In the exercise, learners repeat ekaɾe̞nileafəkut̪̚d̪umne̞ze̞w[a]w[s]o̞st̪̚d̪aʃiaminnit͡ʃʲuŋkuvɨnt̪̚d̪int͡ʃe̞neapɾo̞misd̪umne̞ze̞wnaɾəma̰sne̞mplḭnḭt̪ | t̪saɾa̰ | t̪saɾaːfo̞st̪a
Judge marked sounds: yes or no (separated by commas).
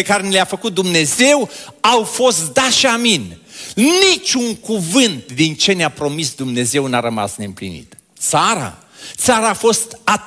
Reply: yes, no